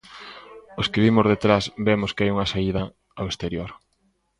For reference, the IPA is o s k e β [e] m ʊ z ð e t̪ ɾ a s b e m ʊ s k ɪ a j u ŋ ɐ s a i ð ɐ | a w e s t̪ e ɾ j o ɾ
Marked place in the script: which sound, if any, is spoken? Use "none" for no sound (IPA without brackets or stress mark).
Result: i